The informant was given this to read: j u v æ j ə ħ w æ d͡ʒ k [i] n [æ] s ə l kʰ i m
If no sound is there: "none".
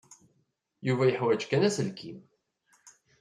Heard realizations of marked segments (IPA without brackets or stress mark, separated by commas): æ, æ